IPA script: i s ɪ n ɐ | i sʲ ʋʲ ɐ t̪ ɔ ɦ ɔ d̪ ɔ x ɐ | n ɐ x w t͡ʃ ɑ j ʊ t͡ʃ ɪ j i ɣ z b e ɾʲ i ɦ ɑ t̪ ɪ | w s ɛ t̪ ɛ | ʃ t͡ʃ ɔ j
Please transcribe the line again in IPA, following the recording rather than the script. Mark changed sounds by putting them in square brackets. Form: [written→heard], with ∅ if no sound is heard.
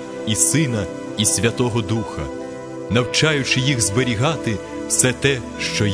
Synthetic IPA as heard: i s ɪ n ɐ | i sʲ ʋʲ ɐ t̪ ɔ ɦ ɔ d̪ [ɔ→u] x ɐ | n ɐ [x→∅] w t͡ʃ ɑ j ʊ t͡ʃ ɪ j i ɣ z b e ɾʲ i ɦ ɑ t̪ ɪ | w s ɛ t̪ ɛ | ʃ t͡ʃ ɔ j